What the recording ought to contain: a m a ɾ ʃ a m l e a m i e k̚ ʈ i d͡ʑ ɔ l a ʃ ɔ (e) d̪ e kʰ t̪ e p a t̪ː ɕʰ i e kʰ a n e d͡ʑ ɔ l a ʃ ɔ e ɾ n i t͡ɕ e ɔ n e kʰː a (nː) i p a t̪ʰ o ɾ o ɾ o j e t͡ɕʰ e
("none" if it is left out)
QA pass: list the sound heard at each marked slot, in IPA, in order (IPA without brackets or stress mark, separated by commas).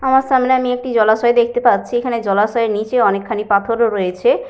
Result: e, n